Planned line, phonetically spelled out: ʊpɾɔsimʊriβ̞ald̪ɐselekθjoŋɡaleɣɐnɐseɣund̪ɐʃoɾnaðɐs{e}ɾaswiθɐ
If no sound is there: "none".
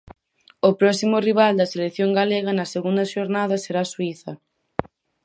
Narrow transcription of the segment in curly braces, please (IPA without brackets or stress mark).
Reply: e